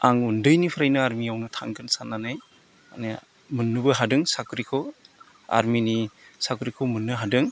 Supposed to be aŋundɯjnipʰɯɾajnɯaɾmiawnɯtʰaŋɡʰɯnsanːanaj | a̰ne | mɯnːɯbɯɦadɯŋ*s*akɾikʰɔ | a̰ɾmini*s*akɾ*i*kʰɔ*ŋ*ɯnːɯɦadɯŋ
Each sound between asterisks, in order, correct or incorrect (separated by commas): correct, correct, correct, incorrect